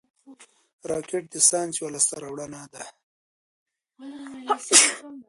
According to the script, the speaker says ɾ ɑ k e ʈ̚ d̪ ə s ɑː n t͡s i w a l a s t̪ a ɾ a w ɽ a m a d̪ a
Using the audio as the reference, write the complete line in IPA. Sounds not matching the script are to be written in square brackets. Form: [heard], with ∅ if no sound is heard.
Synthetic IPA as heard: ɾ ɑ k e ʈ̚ d̪ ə s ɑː n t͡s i w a l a s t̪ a ɾ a w ɽ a [n] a d̪ a